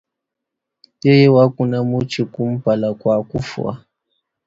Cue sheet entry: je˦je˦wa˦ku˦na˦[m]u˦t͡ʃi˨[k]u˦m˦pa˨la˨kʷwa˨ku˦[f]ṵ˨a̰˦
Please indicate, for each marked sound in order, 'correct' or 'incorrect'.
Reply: correct, correct, correct

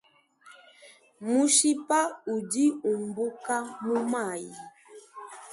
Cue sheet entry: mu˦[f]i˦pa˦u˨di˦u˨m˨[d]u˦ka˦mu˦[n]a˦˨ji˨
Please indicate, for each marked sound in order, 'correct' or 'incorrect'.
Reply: incorrect, incorrect, incorrect

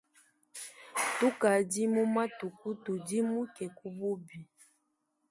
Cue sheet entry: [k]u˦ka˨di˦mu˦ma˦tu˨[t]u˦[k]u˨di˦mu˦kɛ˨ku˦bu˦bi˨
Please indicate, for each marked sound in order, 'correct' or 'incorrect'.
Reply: incorrect, incorrect, incorrect

